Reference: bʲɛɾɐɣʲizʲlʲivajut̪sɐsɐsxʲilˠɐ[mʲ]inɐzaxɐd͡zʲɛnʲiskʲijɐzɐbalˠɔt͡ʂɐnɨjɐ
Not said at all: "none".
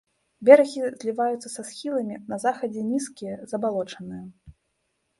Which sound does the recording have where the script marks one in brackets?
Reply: mʲ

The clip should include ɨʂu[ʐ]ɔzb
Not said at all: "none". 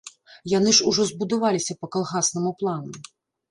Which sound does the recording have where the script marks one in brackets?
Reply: ʐ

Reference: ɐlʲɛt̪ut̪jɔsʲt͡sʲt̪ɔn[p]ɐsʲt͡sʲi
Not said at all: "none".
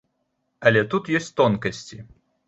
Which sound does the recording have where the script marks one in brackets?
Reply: k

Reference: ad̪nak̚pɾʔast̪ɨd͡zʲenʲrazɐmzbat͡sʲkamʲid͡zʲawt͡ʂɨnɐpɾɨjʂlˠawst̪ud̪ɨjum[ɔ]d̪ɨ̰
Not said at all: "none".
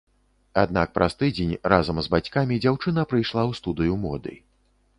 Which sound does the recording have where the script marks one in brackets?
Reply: ɔ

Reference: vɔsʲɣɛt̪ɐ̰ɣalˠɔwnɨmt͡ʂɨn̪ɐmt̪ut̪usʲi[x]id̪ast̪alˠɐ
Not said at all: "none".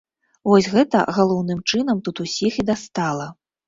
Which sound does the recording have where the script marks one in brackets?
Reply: x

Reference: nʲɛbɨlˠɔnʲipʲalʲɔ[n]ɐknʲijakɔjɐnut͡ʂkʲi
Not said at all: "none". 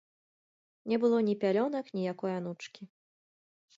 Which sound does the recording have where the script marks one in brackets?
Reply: n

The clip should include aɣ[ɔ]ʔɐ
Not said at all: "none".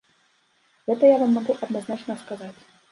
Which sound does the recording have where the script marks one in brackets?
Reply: u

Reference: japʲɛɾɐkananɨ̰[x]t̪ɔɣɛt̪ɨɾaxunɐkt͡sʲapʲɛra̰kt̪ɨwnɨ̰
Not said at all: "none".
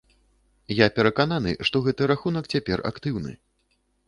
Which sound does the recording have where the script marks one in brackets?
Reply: ʂ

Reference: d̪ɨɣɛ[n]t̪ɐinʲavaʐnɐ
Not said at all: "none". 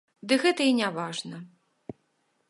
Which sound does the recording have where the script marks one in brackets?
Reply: none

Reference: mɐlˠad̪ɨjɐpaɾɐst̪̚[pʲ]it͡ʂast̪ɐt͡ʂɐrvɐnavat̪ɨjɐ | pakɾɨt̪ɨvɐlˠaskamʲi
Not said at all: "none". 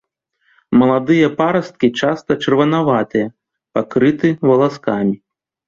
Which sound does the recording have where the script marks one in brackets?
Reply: kʲ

